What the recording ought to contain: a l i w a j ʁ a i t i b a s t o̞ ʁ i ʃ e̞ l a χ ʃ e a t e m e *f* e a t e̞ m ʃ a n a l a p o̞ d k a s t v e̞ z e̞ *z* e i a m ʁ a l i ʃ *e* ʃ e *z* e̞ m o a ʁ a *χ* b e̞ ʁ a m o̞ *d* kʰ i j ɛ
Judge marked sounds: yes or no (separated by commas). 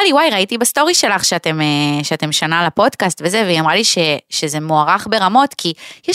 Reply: no, no, yes, yes, yes, no